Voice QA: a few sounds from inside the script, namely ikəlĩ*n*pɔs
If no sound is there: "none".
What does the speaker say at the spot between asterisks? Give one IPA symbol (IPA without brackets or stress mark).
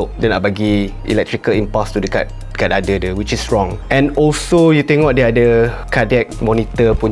m